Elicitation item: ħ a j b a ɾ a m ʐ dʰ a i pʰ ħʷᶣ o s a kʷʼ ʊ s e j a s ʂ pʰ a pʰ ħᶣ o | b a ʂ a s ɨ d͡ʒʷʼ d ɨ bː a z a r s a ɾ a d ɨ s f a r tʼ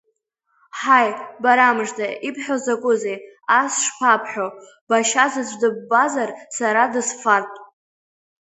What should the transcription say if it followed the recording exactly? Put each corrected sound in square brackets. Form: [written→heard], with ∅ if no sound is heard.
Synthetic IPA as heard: ħ a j b a ɾ a m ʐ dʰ a i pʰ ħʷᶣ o [s→z] a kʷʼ ʊ [s→z] e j a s ʂ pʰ a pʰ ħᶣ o | b a [ʂ→ʃ] a [s→z] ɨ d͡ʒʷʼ d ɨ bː a z a r s a ɾ a d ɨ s f a r tʼ